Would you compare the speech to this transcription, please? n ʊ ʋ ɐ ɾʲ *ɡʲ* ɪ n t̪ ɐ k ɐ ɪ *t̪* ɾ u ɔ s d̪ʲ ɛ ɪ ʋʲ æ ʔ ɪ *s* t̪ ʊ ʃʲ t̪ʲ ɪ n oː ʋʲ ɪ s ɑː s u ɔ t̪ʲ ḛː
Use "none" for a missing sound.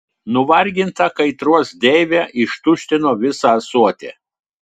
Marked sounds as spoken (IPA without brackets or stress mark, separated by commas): ɡʲ, t̪, ʃ